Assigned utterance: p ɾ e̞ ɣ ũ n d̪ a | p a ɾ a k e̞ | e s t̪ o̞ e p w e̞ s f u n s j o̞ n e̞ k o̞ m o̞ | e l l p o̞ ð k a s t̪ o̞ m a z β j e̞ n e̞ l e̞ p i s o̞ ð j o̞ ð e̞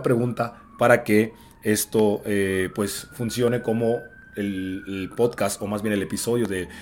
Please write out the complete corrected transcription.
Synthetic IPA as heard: p ɾ e̞ ɣ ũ n t̪ a | p a ɾ a k e̞ | e s t̪ o̞ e p w e̞ s f u n s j o̞ n e̞ k o̞ m o̞ | e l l p o̞ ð k a s t̪ o̞ m a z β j e̞ n e̞ l e̞ p i s o̞ ð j o̞ ð e̞